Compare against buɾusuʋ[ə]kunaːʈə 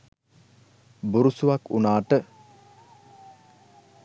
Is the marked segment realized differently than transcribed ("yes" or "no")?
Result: yes